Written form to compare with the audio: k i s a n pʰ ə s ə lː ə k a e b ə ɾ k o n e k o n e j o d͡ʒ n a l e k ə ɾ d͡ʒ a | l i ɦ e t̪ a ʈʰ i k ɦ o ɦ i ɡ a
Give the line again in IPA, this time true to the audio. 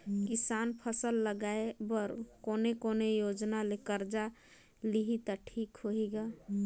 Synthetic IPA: k i s a n pʰ ə s ə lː ə ɡ a e b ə ɾ k o n e k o n e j o d͡ʒ n a l e k ə ɾ d͡ʒ a | l i ɦ i t̪ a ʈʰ i k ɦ o ɦ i ɡ a